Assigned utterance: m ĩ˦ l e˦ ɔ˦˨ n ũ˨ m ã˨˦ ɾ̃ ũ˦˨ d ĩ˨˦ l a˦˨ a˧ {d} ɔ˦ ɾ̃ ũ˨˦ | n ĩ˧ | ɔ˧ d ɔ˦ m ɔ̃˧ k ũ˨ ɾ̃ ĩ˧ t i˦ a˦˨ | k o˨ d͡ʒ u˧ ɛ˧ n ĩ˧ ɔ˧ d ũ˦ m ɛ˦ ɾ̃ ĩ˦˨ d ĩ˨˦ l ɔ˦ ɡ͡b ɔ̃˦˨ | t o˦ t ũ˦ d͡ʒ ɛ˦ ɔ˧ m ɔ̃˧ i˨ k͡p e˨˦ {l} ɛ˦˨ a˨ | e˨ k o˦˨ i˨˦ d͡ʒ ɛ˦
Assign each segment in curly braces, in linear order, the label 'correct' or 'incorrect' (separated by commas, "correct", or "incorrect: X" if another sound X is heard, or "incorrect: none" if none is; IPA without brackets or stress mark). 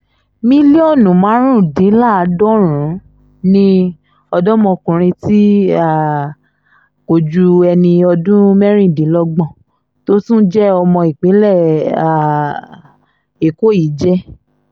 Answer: correct, correct